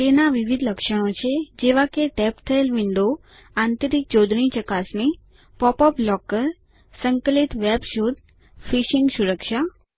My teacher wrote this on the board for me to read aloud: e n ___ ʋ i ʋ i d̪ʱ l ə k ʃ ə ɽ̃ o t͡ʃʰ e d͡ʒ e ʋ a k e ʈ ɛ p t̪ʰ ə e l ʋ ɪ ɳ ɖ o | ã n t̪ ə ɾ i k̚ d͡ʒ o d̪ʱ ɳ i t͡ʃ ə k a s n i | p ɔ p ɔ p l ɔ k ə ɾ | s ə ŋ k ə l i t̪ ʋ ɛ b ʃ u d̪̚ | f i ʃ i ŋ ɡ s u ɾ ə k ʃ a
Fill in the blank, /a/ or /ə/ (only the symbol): a